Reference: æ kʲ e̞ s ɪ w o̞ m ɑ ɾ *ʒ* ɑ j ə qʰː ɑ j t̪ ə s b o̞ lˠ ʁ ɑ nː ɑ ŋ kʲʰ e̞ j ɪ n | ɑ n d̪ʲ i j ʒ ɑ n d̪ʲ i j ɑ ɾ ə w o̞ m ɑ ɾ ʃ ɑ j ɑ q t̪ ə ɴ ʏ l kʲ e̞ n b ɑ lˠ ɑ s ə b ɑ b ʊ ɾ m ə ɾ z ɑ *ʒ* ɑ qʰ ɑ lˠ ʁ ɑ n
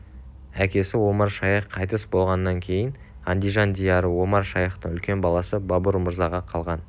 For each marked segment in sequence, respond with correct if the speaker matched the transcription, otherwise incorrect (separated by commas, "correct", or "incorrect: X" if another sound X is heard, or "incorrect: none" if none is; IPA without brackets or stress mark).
incorrect: ʃ, incorrect: ʁ